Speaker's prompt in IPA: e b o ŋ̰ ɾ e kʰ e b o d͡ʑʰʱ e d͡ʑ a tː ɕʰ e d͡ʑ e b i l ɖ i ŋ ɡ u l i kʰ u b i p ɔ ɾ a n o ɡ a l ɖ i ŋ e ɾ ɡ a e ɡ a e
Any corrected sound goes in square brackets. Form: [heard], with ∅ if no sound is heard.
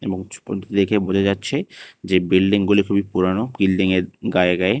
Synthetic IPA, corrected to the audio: e b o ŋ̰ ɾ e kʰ e b o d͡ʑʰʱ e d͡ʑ a tː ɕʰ e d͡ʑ e b i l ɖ i ŋ ɡ u l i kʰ u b i p [u] ɾ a n o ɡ [i] l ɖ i ŋ e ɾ ɡ a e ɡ a e